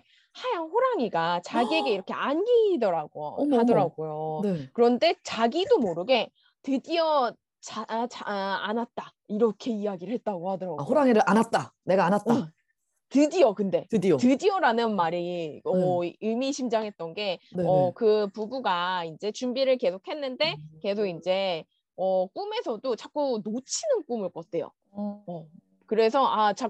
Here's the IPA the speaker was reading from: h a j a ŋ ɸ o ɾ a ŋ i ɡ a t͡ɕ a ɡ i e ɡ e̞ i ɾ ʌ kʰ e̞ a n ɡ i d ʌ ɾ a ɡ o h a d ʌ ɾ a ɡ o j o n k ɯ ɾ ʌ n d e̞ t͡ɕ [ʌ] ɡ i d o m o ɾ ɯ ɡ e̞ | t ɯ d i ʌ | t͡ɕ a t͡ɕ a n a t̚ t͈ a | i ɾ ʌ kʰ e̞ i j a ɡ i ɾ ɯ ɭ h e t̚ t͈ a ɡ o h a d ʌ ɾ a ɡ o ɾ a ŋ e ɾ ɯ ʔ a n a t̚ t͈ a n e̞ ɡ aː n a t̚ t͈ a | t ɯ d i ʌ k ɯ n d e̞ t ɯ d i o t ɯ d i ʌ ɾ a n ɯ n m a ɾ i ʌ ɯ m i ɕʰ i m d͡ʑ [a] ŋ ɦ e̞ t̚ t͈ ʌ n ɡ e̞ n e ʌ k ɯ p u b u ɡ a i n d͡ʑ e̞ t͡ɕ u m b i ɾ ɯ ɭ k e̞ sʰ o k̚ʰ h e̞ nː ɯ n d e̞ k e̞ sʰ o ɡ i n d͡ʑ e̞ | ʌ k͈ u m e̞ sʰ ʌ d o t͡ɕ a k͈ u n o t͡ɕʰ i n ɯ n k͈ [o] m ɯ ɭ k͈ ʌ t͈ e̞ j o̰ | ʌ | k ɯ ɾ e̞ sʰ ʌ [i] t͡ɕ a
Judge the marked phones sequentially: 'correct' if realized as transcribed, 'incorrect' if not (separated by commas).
incorrect, correct, incorrect, incorrect